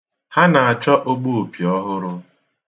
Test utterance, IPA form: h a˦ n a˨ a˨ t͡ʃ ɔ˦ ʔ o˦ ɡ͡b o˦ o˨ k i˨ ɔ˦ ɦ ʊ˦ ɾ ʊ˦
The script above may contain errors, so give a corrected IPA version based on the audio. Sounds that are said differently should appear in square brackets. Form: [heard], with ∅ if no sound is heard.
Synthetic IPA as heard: h a˦ n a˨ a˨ t͡ʃ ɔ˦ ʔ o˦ ɡ͡b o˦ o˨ [p] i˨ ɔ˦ ɦ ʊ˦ ɾ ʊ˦